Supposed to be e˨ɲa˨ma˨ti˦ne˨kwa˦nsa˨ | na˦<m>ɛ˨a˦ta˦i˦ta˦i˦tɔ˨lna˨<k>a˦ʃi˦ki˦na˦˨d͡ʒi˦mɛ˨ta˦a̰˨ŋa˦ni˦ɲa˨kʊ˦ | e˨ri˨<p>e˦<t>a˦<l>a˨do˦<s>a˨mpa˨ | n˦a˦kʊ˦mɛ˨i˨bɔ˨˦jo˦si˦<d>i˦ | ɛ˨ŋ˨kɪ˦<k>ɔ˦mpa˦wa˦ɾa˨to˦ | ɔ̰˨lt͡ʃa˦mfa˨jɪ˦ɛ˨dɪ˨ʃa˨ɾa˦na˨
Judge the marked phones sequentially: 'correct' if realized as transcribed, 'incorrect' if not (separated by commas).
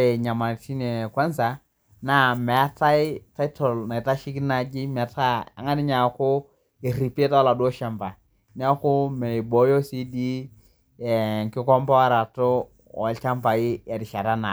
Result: correct, incorrect, correct, correct, correct, incorrect, correct, correct